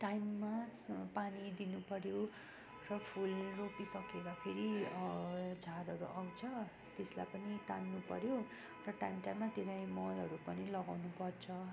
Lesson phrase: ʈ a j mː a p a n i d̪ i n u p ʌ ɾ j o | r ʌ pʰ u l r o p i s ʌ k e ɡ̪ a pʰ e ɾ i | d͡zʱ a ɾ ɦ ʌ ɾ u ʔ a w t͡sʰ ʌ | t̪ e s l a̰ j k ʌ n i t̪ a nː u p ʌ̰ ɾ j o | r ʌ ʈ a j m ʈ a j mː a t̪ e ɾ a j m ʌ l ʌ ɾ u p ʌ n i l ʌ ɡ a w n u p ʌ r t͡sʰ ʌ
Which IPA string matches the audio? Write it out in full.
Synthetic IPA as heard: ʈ a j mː a p a n i d̪ i n u p ʌ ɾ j o | r ʌ pʰ u l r o p i s ʌ k e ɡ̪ a pʰ e ɾ i | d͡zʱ a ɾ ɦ ʌ ɾ u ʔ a w t͡sʰ ʌ | t̪ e s l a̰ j p ʌ n i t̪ a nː u p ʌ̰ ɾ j o | r ʌ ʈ a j m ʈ a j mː a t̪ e ɾ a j m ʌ l ʌ ɾ u p ʌ n i l ʌ ɡ a w n u p ʌ r t͡sʰ ʌ